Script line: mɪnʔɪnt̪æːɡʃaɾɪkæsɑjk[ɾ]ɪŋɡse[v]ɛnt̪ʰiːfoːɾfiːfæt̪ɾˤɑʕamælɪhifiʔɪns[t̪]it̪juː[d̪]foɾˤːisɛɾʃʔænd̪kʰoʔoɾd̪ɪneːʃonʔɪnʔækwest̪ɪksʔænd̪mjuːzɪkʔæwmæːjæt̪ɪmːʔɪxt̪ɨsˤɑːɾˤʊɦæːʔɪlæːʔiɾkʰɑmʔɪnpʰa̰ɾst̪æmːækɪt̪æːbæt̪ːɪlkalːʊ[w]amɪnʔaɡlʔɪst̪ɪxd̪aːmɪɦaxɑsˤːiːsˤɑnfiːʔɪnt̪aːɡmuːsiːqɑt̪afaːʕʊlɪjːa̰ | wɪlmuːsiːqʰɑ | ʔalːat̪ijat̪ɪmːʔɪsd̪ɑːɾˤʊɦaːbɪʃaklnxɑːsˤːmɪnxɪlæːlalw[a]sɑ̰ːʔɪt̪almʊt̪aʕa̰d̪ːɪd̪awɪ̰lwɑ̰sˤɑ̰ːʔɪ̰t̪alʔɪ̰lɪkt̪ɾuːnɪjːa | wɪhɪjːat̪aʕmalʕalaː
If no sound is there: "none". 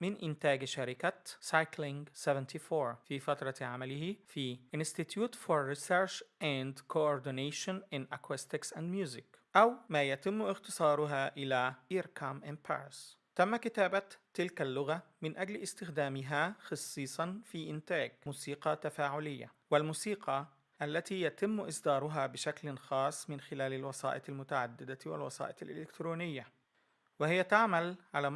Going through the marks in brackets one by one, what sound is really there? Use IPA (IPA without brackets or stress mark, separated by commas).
l, v, t̪, t̪, ɣ, ɑ